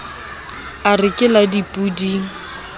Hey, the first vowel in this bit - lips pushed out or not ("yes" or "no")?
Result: no